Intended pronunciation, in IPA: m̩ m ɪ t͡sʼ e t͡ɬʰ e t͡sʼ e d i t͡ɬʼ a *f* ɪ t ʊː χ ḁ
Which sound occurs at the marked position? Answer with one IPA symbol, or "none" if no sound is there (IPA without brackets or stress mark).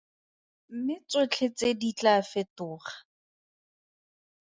f